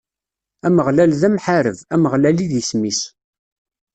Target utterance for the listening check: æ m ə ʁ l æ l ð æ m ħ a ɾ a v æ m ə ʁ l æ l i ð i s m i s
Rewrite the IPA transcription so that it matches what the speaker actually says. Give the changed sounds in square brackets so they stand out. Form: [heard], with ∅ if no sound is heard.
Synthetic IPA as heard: æ m ə ʁ l æ l ð æ m ħ a ɾ [ə] v æ m ə ʁ l æ l i ð i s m i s